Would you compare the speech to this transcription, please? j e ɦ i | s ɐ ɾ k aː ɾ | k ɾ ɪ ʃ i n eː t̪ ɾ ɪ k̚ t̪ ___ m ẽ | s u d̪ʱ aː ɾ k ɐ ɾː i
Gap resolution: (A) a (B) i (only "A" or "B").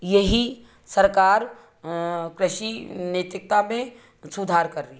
A